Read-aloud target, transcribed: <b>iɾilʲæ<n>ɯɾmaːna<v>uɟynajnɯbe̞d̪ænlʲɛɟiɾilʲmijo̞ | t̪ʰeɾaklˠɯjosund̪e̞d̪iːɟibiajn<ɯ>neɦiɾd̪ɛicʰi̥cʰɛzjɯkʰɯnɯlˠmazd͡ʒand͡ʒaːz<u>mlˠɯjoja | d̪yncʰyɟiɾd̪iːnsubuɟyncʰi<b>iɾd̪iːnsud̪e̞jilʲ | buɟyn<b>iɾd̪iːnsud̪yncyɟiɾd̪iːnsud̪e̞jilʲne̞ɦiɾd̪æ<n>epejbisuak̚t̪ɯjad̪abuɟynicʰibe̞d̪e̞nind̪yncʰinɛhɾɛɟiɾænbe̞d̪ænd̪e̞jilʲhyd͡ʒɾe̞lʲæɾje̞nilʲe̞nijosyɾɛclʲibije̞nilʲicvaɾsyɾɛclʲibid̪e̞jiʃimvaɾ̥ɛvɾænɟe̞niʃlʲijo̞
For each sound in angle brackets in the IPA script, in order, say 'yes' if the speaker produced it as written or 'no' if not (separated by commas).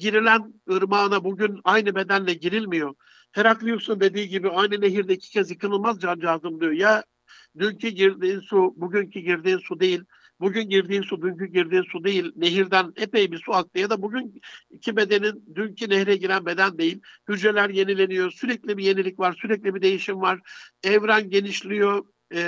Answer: no, yes, no, yes, no, no, no, yes